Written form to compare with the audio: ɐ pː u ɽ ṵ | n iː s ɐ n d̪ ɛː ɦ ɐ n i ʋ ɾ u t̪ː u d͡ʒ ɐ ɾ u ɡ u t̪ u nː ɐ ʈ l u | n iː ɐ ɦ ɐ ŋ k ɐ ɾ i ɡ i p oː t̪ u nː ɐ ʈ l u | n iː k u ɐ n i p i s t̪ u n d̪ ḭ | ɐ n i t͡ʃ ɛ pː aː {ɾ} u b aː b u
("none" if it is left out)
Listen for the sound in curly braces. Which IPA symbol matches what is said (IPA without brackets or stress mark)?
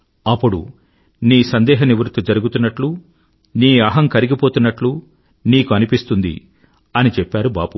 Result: ɾ